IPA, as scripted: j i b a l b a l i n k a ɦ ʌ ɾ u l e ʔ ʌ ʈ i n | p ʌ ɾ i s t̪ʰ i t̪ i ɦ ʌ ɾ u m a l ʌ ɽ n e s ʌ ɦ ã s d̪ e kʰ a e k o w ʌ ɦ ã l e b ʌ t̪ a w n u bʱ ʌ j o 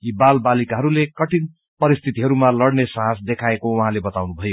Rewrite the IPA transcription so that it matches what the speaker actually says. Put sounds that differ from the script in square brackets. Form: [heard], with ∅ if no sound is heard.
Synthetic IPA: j i b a l b a l i [∅] k a ɦ ʌ ɾ u l e [k] ʌ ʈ i n | p ʌ ɾ i s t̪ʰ i t̪ i ɦ ʌ ɾ u m a l ʌ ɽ n e s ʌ ɦ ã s d̪ e kʰ a e k o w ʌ ɦ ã l e b ʌ t̪ a w n u bʱ ʌ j o